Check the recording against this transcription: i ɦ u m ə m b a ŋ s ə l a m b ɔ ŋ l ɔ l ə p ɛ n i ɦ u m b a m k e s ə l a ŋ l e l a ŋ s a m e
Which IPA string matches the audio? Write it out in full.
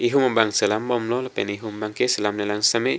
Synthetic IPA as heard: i ɦ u m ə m b a ŋ s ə l a m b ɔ m l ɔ l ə p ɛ n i ɦ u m b a ŋ k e s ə l a m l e l a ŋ s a m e

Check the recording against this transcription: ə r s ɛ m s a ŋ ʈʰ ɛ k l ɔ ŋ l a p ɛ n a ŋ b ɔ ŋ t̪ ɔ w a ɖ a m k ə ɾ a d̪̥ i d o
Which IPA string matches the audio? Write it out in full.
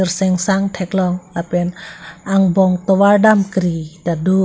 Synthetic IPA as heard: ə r s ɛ ŋ s a ŋ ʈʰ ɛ k l ɔ ŋ l a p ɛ n a ŋ b ɔ ŋ t̪ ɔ w a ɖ a m k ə ɾ i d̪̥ a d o

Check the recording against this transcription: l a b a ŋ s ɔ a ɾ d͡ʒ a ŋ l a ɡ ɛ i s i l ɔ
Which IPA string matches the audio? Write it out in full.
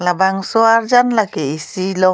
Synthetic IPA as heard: l a b a ŋ s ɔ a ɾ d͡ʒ a n l a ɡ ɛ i s i l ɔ

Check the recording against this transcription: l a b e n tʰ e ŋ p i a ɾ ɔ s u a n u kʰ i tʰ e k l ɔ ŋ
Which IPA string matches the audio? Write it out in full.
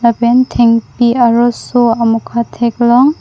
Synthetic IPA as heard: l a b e n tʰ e ŋ p i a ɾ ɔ s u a m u kʰ a tʰ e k l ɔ ŋ

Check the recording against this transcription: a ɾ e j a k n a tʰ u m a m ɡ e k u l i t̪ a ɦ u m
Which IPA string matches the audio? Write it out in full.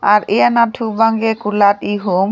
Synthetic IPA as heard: a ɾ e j a n a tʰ u b a ŋ ɡ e k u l a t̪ i ɦ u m

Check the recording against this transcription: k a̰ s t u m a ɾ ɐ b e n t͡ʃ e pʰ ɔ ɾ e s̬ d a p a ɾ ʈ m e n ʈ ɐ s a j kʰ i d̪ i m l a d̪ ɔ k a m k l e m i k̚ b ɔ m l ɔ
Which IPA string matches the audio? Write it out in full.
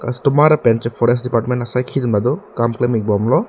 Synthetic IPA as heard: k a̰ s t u m a ɾ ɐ p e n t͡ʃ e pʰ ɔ ɾ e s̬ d i p a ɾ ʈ m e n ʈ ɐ s a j kʰ i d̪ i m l a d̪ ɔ k a m k l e m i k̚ b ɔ m l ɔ

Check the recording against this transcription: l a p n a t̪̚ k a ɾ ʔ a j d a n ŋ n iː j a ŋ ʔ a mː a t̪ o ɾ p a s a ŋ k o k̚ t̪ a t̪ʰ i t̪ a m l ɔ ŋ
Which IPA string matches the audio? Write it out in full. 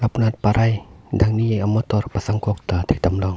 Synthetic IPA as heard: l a p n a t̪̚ p a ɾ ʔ a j d a ŋ n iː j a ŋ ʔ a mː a t̪ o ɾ p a s a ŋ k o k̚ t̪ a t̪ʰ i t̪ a m l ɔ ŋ

